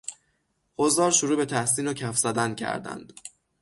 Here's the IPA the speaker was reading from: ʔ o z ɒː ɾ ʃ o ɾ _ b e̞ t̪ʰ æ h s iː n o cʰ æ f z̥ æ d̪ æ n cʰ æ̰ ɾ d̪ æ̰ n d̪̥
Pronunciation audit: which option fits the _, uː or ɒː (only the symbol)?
uː